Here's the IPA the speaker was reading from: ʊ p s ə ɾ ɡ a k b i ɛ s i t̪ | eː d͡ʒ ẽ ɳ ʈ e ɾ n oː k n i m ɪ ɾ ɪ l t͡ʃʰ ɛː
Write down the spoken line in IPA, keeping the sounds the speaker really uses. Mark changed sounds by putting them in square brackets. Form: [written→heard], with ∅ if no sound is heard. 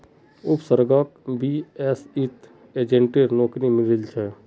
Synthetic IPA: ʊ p s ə ɾ ɡ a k b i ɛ s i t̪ | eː d͡ʒ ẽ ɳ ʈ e ɾ n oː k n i m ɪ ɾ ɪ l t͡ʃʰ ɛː